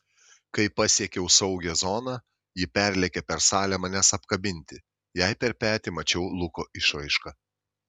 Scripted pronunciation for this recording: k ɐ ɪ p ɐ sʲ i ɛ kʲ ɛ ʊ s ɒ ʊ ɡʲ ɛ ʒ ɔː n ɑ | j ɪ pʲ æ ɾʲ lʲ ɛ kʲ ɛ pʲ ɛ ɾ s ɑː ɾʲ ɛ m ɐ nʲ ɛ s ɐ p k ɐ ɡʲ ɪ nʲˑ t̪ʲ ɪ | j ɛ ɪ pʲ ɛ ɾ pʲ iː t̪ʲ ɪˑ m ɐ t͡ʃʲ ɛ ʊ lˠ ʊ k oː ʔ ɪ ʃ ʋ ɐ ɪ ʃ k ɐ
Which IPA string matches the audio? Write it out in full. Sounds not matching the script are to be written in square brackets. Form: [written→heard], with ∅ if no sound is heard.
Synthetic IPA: k ɐ ɪ p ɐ sʲ i ɛ kʲ ɛ ʊ s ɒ ʊ ɡʲ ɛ [ʒ→z] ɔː n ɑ | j ɪ pʲ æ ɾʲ lʲ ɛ kʲ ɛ pʲ ɛ ɾ s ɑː [ɾʲ→lʲ] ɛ m ɐ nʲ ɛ s ɐ p k ɐ [ɡʲ→bʲ] ɪ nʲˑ t̪ʲ ɪ | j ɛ ɪ pʲ ɛ ɾ pʲ [iː→æː] t̪ʲ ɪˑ m ɐ t͡ʃʲ ɛ ʊ lˠ ʊ k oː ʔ ɪ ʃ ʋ ɐ ɪ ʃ k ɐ